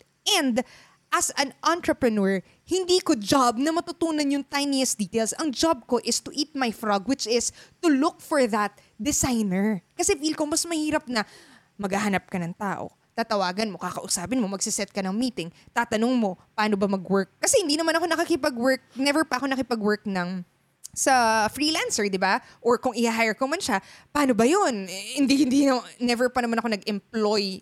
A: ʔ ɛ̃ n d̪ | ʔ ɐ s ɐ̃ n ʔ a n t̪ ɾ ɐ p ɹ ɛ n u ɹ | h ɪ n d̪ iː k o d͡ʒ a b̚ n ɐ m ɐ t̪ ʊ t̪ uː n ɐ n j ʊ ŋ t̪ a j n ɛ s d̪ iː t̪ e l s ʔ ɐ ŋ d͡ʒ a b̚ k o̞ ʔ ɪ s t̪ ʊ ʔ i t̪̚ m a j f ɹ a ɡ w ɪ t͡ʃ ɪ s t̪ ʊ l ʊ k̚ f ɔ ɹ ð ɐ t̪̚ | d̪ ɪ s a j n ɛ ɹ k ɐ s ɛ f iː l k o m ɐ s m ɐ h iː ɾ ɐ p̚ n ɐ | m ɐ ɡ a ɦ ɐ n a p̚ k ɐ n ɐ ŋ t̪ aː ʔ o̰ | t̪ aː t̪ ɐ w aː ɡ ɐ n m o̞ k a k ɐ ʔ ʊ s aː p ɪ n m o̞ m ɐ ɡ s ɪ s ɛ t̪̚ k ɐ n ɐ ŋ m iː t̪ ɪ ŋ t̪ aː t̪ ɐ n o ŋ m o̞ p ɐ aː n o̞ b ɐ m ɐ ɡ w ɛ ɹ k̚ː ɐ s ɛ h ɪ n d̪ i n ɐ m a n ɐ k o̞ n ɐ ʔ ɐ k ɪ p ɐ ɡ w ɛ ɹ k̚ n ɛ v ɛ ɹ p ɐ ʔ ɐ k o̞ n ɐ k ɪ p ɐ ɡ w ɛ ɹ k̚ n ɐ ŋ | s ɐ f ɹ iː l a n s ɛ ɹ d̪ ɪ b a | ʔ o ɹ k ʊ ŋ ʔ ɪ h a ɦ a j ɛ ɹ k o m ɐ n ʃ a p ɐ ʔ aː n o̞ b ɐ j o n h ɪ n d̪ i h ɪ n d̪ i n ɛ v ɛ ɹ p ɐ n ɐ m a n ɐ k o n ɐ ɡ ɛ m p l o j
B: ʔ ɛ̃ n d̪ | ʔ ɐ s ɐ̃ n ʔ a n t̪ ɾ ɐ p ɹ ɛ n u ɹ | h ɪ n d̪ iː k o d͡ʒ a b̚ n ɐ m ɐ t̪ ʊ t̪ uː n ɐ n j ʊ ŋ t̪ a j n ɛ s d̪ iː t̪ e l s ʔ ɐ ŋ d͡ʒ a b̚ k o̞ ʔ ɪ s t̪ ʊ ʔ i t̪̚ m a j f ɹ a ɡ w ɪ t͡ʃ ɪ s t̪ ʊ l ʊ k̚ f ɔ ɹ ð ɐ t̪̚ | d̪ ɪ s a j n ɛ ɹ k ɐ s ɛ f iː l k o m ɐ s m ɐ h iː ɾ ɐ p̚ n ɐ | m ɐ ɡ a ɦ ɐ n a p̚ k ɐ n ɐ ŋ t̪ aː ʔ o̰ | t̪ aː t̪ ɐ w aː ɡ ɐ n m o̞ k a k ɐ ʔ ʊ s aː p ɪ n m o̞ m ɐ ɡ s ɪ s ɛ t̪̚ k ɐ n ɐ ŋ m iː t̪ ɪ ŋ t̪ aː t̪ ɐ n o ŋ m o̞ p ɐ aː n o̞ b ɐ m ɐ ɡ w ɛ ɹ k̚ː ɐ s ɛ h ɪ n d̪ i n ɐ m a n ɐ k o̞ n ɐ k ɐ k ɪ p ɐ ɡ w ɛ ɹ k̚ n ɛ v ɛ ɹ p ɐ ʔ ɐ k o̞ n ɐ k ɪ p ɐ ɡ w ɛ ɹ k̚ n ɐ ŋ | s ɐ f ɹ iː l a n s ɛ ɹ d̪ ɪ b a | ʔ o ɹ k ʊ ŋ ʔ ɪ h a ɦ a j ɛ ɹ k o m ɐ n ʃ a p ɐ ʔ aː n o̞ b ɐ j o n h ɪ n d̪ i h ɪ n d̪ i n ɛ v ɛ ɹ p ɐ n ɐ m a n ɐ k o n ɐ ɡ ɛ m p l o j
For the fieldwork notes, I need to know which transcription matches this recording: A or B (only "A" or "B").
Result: B